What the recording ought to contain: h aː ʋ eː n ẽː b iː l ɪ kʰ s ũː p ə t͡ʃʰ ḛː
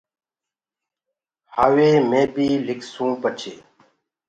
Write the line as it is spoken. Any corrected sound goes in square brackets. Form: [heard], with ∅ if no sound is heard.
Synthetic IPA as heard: h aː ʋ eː [m] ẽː b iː l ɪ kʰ s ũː p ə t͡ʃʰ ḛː